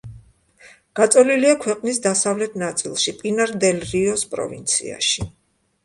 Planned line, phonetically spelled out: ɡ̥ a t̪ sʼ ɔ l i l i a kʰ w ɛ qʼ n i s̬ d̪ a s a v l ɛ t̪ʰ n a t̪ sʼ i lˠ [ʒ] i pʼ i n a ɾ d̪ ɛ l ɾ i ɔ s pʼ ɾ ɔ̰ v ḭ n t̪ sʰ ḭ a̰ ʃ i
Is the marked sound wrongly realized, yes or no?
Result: yes